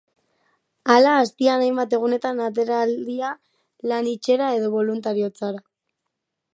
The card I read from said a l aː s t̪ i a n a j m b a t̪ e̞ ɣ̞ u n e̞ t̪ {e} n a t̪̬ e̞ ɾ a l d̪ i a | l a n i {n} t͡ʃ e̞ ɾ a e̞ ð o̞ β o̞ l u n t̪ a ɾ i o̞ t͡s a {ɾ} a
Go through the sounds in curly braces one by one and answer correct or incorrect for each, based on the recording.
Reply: incorrect: a, incorrect: none, correct

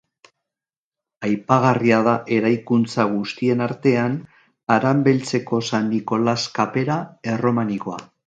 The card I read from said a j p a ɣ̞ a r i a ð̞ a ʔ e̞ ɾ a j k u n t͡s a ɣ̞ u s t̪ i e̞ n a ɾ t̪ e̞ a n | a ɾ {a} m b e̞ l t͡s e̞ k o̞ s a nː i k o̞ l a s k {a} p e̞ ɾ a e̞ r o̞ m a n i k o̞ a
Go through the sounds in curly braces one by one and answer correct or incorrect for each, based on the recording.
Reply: correct, correct

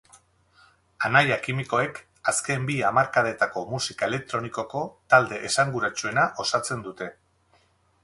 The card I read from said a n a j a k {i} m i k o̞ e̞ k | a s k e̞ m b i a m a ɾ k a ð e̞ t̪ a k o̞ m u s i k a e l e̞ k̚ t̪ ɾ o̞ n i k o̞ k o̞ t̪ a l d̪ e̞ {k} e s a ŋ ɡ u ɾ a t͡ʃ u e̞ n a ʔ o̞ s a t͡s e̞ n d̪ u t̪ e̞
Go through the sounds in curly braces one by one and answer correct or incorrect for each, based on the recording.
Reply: correct, incorrect: ʔ

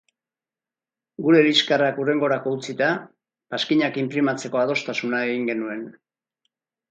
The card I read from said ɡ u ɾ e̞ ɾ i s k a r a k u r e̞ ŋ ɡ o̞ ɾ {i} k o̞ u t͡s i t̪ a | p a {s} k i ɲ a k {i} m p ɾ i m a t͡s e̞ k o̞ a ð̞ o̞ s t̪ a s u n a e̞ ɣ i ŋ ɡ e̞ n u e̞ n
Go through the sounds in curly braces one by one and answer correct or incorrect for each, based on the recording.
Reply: incorrect: a, correct, correct

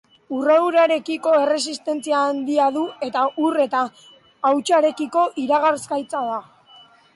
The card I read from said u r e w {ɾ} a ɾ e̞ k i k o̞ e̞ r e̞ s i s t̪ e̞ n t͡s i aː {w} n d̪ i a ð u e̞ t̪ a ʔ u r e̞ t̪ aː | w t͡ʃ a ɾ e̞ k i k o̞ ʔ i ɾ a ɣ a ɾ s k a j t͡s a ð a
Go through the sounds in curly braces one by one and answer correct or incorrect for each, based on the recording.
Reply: correct, incorrect: none

